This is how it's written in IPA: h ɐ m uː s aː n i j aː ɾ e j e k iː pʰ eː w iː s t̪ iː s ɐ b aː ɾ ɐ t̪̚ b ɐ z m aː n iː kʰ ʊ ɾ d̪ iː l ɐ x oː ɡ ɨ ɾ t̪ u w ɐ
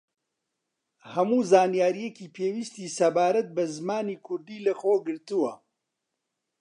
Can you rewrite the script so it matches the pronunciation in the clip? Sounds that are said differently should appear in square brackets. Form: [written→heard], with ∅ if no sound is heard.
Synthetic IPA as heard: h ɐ m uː [s→z] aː n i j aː ɾ [e→i] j e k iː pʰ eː w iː s t̪ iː s ɐ b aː ɾ ɐ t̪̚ b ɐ z m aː n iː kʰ ʊ ɾ d̪ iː l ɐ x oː ɡ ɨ ɾ t̪ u w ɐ